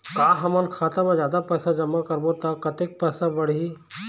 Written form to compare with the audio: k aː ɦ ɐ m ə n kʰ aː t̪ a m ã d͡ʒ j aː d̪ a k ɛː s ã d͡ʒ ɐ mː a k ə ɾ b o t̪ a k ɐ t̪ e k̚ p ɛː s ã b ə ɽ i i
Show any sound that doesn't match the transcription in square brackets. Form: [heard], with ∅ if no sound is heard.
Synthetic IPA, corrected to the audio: k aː ɦ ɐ m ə n kʰ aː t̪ a m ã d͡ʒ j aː d̪ a [p] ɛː s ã d͡ʒ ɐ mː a k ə ɾ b o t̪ a k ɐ t̪ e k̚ p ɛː s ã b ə ɽ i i